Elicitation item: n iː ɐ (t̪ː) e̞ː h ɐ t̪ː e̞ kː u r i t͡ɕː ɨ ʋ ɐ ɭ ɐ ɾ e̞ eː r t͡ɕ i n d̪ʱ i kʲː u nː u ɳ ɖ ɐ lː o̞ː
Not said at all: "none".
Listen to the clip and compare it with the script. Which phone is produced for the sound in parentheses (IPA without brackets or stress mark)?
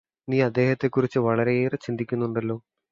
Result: d̪ː